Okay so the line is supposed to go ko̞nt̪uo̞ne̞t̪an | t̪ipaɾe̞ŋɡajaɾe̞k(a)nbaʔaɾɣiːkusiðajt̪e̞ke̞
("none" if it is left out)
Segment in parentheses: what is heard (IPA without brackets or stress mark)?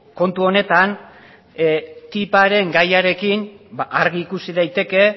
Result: i